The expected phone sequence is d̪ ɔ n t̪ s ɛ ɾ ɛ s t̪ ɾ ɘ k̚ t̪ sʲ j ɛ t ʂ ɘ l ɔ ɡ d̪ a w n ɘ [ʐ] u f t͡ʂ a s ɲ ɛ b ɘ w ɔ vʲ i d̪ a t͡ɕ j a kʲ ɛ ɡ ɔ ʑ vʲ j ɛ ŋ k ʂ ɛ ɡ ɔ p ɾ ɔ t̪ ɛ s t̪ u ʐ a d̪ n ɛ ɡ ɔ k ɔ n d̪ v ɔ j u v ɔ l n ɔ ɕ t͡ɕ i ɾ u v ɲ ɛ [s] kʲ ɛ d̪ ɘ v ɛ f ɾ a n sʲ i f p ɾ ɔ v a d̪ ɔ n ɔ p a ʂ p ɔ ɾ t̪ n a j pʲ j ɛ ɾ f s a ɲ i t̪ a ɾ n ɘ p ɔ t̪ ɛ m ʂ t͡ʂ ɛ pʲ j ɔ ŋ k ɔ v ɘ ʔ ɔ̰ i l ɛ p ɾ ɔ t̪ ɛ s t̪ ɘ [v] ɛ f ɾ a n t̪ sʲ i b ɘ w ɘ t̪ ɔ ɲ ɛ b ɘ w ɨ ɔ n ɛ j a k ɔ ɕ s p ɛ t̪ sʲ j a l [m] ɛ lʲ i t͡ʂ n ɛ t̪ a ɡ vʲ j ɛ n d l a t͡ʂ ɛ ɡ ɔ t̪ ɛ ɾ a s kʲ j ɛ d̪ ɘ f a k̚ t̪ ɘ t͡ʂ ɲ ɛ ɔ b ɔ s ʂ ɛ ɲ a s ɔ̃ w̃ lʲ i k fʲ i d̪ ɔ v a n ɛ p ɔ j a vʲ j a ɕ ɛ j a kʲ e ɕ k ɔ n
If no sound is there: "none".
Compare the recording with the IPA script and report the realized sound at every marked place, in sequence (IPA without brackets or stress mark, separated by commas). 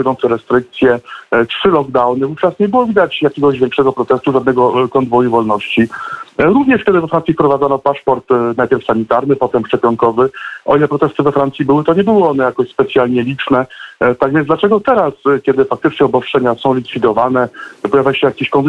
v, ʂ, v, ɲ